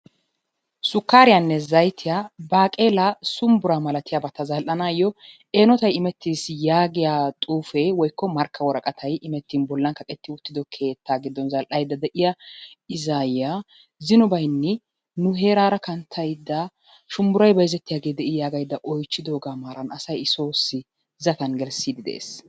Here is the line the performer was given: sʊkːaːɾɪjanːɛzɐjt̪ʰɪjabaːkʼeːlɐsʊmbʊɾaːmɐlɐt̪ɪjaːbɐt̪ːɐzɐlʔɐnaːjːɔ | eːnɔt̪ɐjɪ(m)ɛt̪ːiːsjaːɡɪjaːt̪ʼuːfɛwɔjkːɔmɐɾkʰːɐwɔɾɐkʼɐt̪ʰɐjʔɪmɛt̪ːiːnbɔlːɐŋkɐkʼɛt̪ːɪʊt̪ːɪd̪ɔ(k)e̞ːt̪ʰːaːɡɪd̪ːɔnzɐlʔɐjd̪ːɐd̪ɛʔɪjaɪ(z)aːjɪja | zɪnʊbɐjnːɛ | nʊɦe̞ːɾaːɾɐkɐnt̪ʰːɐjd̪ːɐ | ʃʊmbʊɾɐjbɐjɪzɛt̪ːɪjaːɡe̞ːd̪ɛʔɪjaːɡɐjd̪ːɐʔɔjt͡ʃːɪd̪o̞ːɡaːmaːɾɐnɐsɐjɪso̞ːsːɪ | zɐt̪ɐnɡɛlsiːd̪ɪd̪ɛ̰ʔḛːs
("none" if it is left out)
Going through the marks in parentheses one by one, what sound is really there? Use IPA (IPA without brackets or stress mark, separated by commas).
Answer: m, kʰ, z